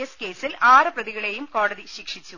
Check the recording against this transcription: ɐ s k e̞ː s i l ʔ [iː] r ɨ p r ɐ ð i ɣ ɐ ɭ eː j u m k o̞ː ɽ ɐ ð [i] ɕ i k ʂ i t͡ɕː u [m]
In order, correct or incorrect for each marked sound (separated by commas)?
incorrect, correct, incorrect